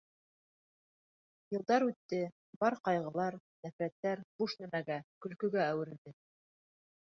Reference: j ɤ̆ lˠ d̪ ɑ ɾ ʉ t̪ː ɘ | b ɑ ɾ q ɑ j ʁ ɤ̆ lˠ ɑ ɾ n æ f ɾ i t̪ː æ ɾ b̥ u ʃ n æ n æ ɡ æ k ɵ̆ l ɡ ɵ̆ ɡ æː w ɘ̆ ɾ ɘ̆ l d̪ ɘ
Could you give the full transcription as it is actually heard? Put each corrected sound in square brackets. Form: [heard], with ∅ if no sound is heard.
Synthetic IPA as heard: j ɤ̆ lˠ d̪ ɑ ɾ ʉ t̪ː ɘ | b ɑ ɾ q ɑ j ʁ ɤ̆ lˠ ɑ ɾ n æ f ɾ [æ] t̪ː æ ɾ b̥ u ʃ n æ [m] æ ɡ æ k ɵ̆ l [k] ɵ̆ ɡ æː w ɘ̆ ɾ ɘ̆ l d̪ ɘ